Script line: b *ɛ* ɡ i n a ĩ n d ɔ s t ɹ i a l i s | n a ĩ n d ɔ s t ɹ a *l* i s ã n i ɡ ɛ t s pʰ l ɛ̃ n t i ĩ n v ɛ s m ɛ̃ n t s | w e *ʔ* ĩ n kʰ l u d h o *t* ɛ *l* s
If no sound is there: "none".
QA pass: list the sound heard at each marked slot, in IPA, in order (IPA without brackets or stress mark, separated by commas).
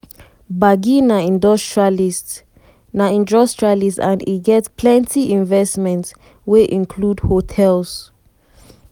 a, l, ʔ, tʰ, l